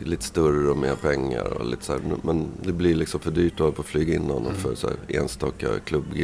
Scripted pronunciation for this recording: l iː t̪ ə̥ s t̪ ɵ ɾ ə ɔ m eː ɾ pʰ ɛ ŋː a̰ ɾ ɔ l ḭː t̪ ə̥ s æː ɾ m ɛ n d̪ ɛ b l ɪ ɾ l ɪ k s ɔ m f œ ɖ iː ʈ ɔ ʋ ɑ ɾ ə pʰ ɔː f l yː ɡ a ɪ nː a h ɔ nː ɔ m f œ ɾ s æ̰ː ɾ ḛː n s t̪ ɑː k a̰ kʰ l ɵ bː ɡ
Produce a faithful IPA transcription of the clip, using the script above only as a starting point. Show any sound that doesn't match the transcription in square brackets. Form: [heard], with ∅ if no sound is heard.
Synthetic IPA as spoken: l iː t̪ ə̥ s t̪ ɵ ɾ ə ɔ m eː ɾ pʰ ɛ ŋː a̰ ɾ ɔ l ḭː t̪ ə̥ s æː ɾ m ɛ n d̪ ɛ b l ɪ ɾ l ɪ k s ɔ m f œ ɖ [yː] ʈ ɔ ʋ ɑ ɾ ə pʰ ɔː f l yː ɡ a ɪ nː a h ɔ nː ɔ m f œ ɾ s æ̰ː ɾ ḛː n s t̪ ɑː k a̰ kʰ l ɵ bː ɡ